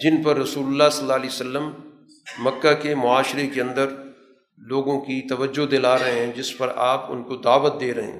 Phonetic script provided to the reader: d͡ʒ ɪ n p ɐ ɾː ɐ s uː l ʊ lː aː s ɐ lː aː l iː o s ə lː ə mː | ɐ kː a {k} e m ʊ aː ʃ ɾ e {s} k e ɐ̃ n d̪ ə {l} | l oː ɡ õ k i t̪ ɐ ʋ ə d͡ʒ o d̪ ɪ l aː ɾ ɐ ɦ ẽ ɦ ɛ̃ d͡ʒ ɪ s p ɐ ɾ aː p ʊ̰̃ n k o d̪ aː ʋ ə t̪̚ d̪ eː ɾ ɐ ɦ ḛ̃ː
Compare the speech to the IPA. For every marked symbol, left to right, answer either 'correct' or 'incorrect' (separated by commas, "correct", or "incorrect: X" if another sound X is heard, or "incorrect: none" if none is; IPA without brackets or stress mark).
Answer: correct, incorrect: none, incorrect: ɾ